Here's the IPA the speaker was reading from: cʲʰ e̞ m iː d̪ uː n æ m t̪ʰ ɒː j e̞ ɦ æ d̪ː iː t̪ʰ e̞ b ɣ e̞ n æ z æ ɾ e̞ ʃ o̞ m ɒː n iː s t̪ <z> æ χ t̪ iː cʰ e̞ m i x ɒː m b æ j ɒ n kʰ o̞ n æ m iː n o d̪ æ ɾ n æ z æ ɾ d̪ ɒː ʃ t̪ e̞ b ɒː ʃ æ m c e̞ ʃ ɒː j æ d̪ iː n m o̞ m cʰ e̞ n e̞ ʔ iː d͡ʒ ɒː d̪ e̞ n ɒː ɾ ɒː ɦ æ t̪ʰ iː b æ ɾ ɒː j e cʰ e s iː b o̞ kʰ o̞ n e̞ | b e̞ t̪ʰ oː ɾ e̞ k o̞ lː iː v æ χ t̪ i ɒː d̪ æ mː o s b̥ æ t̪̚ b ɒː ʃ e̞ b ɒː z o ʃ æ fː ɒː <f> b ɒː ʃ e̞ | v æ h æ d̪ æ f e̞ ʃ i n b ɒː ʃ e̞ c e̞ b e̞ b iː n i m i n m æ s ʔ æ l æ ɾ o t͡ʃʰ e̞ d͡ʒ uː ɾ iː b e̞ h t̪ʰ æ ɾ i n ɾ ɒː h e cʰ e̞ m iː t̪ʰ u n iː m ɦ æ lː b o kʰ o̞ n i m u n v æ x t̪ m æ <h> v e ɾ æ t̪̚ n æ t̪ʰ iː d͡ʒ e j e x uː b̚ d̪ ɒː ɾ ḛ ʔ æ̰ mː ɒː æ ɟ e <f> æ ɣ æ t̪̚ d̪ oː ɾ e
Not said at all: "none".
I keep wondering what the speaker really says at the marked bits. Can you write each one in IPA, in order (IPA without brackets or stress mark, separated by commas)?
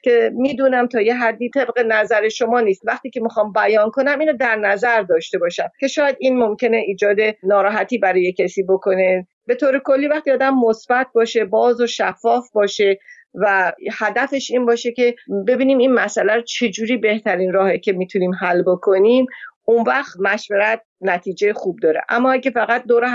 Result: v, f, ʃ, f